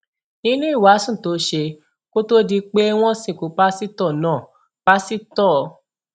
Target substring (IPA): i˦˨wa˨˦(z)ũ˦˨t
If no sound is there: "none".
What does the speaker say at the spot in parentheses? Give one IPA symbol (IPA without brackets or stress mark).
s